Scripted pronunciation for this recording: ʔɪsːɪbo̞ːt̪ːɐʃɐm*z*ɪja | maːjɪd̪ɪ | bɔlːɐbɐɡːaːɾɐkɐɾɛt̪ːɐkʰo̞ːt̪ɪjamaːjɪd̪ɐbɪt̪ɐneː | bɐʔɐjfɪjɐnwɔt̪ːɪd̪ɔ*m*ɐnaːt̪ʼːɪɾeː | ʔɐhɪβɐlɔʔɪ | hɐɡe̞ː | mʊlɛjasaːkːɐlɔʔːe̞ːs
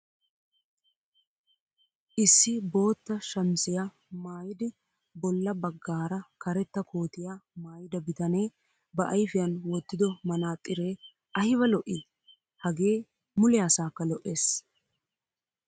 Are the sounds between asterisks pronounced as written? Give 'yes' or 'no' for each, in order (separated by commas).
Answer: no, yes